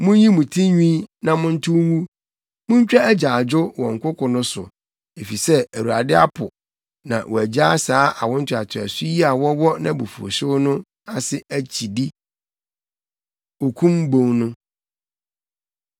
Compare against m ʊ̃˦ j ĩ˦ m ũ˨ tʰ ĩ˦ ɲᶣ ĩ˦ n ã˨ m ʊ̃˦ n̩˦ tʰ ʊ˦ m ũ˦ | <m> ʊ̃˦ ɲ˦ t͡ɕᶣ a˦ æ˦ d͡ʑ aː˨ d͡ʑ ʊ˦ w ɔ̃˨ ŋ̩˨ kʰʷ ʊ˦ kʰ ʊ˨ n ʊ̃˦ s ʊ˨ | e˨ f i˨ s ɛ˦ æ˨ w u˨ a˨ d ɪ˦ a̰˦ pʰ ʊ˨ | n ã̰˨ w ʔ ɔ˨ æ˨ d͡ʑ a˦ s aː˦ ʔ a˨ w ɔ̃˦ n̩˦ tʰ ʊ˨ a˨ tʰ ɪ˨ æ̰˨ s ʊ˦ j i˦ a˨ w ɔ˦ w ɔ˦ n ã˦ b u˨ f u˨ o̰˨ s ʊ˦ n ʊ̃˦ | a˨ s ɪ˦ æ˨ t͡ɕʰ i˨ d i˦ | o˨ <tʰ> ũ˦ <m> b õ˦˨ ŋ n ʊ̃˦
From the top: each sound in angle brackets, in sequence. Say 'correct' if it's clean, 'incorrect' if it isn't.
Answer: correct, incorrect: kʰ, correct

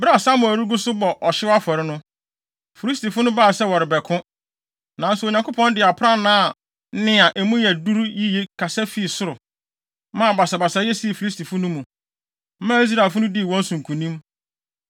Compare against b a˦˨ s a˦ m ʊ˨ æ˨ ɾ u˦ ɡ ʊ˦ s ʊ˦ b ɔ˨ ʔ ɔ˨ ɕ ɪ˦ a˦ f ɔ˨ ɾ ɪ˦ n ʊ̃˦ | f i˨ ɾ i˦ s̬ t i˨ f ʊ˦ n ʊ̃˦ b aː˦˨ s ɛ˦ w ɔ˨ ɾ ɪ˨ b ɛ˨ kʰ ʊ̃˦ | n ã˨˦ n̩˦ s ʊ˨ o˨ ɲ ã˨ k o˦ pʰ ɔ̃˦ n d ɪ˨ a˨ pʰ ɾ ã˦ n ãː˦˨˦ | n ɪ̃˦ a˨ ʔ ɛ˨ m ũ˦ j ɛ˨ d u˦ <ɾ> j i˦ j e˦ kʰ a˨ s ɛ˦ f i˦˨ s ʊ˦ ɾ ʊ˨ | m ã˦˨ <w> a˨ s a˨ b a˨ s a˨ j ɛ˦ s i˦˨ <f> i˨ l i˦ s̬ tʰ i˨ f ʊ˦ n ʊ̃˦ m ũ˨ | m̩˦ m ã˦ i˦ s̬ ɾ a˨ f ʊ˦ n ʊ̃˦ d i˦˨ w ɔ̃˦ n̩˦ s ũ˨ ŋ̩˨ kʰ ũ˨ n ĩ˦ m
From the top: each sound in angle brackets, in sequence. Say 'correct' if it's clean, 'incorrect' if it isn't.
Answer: correct, incorrect: b, correct

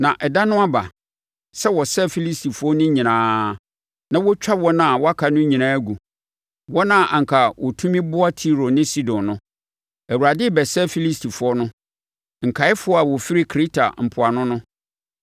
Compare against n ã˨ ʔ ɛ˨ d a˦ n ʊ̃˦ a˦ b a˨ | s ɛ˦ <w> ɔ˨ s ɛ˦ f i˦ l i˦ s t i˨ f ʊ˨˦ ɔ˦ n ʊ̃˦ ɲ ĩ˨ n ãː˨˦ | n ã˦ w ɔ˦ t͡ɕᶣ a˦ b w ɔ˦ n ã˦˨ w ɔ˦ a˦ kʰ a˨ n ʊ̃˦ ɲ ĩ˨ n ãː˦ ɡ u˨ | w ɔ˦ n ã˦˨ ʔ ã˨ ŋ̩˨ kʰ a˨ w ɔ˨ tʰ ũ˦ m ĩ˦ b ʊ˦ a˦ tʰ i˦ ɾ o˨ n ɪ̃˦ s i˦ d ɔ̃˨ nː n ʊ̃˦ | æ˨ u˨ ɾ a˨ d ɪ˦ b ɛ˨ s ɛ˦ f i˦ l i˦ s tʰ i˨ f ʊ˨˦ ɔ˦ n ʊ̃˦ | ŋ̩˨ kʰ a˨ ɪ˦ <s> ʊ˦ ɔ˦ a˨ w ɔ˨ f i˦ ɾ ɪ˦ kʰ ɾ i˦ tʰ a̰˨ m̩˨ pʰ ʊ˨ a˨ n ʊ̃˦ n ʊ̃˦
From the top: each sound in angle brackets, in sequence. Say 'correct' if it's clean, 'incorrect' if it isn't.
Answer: correct, incorrect: f

